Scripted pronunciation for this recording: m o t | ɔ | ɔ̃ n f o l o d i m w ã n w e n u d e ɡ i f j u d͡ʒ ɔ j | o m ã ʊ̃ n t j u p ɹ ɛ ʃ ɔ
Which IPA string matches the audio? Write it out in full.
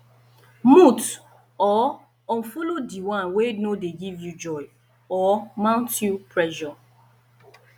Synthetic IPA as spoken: m u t | ɔ | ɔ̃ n f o l o d i w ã n w e n o d e ɡ i v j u d͡ʒ ɔ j | ɔ m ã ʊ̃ n t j u p ɹ ɛ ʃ ɔ